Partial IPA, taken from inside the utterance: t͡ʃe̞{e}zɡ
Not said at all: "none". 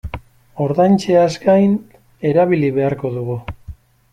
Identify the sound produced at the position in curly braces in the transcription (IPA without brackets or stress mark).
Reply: a